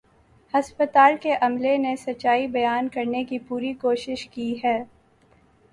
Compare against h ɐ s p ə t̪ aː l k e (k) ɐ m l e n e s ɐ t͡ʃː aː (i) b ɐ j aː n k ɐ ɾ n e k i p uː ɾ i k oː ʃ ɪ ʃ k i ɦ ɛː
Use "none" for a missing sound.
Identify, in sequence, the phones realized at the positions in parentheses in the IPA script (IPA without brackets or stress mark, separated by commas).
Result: ʔ, i